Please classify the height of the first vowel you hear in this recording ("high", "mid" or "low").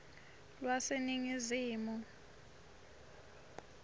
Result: low